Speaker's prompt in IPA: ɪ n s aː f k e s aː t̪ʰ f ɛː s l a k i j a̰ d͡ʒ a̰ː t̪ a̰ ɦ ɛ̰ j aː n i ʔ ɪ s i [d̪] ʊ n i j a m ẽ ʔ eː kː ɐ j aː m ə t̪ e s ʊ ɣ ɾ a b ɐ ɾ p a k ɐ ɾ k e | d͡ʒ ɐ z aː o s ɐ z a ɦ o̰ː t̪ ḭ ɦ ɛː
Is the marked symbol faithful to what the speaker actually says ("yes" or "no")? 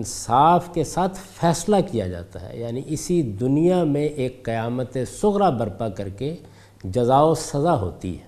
yes